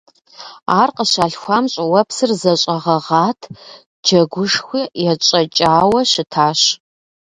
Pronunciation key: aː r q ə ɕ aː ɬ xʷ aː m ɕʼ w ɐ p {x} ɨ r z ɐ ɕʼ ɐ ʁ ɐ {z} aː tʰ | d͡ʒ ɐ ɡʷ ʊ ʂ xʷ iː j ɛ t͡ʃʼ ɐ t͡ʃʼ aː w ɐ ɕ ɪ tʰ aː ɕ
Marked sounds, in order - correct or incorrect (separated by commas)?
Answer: incorrect, incorrect